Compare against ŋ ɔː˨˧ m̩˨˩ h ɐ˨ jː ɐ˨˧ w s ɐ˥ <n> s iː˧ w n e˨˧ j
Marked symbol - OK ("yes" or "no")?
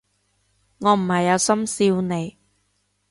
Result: no